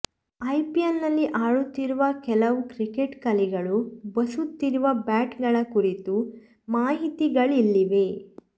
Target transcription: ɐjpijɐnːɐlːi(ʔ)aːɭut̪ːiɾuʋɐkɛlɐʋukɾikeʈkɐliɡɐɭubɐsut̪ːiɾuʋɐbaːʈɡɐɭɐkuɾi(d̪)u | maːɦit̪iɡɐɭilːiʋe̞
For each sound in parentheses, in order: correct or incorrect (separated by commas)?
correct, incorrect